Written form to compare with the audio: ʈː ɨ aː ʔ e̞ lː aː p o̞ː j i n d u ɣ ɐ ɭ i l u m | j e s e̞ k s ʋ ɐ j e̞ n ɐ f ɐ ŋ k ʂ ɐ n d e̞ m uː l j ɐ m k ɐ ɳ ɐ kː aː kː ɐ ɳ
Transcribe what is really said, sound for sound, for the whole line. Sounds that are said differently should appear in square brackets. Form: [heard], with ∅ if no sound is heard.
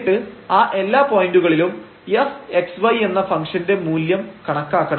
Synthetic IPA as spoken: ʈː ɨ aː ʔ e̞ lː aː p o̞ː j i n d u ɣ ɐ ɭ i l u m | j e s e̞ k s ʋ ɐ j e̞ [nː] ɐ f ɐ ŋ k ʂ ɐ n d e̞ m uː l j ɐ m k ɐ ɳ ɐ kː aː kː ɐ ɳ